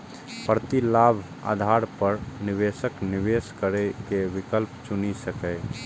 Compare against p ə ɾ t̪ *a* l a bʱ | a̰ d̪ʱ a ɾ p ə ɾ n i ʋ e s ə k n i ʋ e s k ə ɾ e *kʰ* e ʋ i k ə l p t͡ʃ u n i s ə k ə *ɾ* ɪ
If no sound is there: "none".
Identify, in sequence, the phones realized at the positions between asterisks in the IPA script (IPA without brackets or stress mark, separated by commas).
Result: i, k, none